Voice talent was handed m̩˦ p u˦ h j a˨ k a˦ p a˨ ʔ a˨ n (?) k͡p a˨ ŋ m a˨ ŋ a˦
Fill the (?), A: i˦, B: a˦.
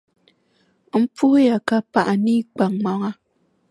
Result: A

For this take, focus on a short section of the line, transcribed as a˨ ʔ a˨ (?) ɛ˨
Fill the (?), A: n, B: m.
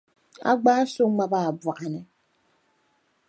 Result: A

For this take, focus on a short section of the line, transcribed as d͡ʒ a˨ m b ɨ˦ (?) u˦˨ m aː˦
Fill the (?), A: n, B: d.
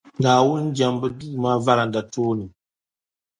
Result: B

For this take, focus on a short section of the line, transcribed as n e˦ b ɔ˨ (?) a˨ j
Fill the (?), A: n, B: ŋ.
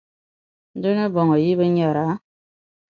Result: B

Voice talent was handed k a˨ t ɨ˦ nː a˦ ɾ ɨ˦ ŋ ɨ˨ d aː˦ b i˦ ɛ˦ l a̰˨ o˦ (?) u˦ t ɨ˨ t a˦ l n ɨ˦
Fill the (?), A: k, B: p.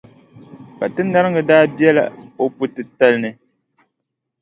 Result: B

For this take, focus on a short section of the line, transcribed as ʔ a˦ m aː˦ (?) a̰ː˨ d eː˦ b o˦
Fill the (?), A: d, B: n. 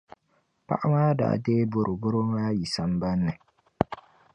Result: A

